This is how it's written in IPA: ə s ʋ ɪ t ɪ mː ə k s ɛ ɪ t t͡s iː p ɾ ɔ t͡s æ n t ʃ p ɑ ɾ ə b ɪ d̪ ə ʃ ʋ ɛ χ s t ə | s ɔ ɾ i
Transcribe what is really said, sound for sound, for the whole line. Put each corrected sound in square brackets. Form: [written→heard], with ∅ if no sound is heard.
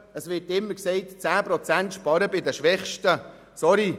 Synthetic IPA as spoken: ə s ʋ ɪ t ɪ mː ə k s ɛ ɪ t t͡s [iː→æː] p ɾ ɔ t͡s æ n t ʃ p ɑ ɾ ə b ɪ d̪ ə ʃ ʋ ɛ χ [s→ʃ] t ə | s ɔ ɾ i